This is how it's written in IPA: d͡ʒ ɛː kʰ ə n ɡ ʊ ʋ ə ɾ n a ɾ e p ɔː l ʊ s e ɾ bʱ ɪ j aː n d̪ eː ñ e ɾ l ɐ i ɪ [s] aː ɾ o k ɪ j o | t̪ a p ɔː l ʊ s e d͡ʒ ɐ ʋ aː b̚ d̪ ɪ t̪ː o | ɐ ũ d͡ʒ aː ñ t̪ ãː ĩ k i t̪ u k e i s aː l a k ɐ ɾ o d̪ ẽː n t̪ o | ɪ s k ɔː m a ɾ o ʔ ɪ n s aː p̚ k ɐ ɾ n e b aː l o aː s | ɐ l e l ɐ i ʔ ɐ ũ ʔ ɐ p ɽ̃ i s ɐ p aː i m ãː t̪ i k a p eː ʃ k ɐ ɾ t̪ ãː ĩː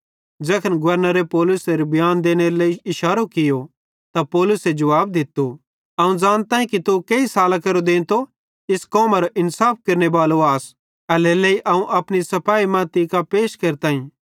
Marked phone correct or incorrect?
incorrect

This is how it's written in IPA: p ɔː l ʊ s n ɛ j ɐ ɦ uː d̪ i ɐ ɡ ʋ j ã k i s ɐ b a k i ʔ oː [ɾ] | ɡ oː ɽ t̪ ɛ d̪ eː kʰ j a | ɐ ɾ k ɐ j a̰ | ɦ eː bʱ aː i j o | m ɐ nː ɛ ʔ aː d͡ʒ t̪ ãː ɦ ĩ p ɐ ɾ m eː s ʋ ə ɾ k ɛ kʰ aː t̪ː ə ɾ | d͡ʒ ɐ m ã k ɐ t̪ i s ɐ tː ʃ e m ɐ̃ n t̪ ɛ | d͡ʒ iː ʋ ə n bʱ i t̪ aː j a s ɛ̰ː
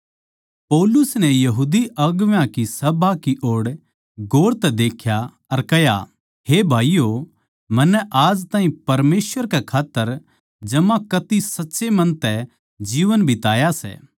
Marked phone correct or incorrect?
incorrect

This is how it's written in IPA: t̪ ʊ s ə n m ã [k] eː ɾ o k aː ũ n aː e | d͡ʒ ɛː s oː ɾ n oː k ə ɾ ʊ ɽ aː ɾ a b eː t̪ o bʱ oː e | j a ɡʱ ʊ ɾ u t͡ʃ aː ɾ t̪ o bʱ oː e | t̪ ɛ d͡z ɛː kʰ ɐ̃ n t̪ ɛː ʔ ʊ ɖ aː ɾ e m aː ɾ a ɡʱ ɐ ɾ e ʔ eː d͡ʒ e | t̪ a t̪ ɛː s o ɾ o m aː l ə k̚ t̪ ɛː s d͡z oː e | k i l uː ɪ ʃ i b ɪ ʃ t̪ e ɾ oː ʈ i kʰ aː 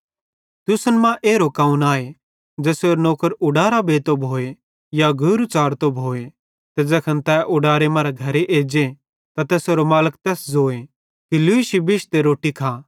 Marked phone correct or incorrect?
incorrect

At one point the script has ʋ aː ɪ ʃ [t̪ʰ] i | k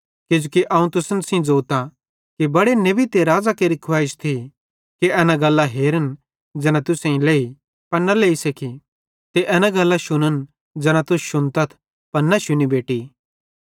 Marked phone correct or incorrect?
correct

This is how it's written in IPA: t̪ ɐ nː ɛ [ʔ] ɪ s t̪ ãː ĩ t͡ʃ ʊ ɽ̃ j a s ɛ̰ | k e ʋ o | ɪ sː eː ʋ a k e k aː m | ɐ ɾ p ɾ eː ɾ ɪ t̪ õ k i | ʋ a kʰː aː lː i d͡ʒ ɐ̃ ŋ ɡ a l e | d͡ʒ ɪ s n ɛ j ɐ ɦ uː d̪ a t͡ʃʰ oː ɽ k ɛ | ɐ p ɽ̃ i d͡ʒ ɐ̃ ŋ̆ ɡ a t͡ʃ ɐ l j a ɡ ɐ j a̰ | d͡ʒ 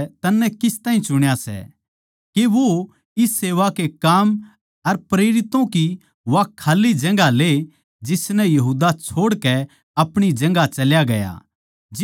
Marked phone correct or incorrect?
incorrect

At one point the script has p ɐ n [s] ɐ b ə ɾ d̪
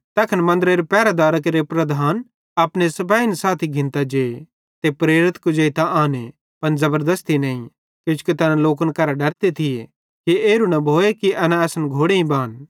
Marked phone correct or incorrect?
incorrect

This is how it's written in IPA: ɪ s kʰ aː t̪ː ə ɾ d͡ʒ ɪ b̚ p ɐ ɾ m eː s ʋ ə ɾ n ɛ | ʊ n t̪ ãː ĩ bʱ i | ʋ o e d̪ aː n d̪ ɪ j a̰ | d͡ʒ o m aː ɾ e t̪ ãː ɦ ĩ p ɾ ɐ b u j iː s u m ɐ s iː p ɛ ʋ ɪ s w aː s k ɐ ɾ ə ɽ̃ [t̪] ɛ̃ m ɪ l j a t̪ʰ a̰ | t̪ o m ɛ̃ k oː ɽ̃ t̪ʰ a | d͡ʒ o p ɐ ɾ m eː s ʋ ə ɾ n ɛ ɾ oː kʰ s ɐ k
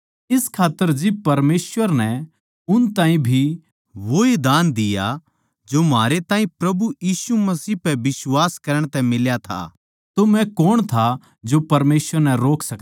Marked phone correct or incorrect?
correct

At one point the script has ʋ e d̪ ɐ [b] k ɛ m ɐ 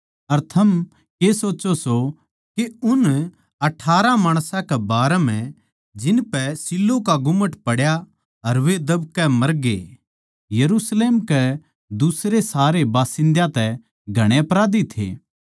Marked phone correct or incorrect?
correct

